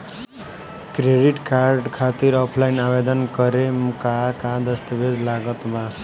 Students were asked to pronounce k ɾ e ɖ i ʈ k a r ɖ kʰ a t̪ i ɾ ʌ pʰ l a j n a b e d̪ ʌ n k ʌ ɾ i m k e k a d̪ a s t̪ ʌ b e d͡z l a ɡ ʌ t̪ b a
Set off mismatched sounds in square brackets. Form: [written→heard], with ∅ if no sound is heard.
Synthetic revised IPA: k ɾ e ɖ i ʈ k a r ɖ kʰ a t̪ i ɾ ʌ pʰ l a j n a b e d̪ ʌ n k ʌ ɾ [i→e] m k [e→a] k a d̪ [a→ʌ] s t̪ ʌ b e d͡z l a ɡ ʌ t̪ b a